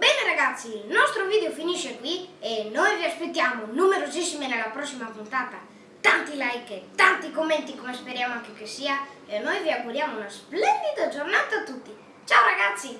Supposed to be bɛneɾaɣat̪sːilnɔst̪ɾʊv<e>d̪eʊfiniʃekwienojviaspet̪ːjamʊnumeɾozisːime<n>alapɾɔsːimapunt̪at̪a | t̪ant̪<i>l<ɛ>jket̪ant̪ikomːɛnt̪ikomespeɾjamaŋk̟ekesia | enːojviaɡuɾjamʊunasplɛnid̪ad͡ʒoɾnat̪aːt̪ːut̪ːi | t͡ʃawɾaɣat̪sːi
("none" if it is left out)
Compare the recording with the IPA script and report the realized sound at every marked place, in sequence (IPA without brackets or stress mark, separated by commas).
i, n, i, a